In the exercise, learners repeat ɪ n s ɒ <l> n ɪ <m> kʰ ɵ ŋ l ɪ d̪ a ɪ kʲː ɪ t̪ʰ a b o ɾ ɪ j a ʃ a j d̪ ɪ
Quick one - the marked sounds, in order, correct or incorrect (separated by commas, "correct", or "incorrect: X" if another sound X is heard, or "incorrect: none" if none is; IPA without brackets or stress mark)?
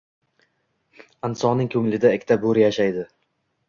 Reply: incorrect: none, incorrect: ŋ